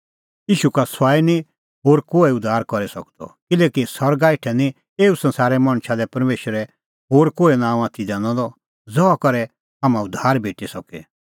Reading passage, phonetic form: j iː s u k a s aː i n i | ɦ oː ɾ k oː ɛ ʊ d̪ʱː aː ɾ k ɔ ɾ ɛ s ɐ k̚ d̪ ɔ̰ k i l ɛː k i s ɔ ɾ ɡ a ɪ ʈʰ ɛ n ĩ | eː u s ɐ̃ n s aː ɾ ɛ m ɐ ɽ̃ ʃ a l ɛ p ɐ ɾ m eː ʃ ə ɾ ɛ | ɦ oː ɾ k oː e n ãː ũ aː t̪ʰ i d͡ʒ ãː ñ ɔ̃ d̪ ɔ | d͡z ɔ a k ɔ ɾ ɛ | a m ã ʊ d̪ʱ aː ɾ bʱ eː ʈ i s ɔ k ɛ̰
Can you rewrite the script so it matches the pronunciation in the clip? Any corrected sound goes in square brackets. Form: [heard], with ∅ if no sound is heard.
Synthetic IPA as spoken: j iː [ʃ] u k a s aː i n i | ɦ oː ɾ k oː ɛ ʊ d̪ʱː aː ɾ k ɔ ɾ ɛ s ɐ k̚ d̪ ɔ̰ k [ɪ] l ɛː k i s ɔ ɾ ɡ a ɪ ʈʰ ɛ n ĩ | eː u s ɐ̃ n s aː ɾ ɛ m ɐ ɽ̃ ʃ a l ɛ p ɐ ɾ m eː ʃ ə ɾ ɛ | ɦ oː ɾ k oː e n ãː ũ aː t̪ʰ i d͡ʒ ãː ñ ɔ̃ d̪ ɔ | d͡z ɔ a k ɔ ɾ ɛ | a m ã ʊ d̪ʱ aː ɾ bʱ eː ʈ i s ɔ k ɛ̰